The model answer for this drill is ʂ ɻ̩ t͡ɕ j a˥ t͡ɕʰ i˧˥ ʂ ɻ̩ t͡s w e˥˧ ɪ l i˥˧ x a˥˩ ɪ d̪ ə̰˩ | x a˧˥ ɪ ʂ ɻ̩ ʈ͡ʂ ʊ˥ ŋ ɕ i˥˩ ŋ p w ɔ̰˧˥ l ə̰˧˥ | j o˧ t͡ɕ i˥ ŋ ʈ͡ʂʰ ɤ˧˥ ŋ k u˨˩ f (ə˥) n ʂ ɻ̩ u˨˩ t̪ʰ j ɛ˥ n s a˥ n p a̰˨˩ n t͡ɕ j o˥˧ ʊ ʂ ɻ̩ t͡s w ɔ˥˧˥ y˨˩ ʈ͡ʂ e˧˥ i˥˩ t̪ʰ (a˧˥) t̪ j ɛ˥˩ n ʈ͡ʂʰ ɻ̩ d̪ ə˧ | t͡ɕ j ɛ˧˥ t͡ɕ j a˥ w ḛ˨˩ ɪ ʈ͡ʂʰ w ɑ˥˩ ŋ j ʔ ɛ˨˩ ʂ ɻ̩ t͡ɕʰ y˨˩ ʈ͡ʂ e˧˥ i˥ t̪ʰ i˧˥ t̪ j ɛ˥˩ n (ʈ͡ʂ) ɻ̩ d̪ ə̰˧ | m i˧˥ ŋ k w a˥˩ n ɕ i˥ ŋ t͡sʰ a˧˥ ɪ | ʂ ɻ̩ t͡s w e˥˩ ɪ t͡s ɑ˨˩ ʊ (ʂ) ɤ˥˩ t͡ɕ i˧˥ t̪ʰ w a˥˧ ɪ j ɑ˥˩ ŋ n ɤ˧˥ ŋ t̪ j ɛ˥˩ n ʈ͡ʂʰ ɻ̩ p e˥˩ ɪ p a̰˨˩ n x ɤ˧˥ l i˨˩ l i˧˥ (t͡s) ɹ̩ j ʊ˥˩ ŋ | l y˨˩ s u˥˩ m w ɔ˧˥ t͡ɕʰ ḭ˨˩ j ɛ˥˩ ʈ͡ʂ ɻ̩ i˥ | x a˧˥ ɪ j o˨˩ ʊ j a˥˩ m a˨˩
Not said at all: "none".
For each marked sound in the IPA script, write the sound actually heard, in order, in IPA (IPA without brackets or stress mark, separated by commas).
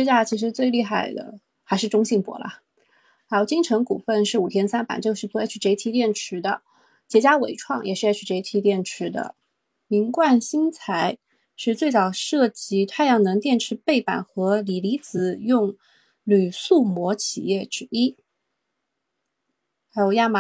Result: ə˥˧, i˧˥, ʈ͡ʂʰ, ʂ, t͡s